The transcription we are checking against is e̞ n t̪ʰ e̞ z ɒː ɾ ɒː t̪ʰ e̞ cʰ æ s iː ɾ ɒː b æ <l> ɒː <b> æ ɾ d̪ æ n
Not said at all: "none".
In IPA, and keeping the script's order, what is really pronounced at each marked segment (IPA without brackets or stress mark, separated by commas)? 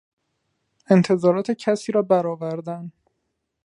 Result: ɾ, v